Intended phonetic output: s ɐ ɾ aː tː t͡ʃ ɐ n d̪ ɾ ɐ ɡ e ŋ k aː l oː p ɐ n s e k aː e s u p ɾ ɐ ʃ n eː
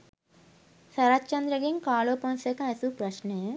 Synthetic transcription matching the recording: s ɐ ɾ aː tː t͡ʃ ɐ n d̪ ɾ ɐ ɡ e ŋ k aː l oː p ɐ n s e k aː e s u p ɾ ɐ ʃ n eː